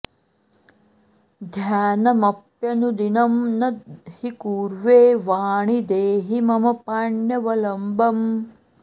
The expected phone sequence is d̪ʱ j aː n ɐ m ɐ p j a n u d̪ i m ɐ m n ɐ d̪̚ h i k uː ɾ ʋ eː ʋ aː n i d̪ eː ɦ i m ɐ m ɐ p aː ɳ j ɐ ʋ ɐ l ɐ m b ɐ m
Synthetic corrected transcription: d̪ʱ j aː n ɐ m ɐ p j ɐ n u d̪ i n ɐ m n ɐ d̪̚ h i k uː ɾ ʋ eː ʋ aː ɳ i d̪ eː ɦ i m ɐ m ɐ p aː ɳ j ɐ ʋ ɐ l ɐ m b ɐ m